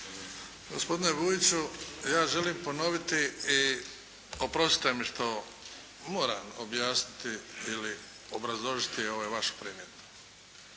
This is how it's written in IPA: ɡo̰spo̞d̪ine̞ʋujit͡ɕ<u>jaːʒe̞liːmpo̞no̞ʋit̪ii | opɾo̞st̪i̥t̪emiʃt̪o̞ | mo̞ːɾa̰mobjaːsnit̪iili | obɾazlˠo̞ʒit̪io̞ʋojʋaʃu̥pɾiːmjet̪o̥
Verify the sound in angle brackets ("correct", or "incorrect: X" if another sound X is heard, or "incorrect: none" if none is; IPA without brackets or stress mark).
correct